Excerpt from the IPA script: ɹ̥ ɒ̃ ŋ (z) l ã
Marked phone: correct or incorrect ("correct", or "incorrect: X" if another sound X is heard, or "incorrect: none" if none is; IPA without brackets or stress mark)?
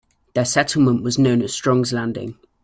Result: correct